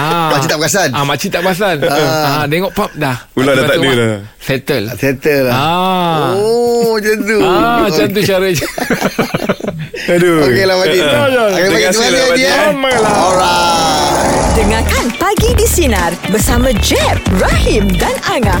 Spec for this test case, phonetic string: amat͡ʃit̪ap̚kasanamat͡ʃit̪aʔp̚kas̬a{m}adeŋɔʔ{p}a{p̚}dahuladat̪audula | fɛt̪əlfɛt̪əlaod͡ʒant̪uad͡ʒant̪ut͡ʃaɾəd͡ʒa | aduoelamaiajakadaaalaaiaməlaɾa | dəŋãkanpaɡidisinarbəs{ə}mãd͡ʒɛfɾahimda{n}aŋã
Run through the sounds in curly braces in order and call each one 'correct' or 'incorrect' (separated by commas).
incorrect, correct, correct, incorrect, correct